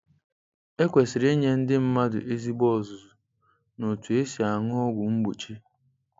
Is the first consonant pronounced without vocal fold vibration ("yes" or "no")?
yes